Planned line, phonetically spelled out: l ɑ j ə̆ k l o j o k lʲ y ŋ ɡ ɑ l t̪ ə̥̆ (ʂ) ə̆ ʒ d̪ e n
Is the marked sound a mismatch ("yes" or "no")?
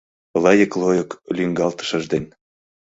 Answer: yes